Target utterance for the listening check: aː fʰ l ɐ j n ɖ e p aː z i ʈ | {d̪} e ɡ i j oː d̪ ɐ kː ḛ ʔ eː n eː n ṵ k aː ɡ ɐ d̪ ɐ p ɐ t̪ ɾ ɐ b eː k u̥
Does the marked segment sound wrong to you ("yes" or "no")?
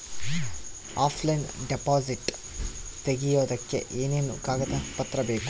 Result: yes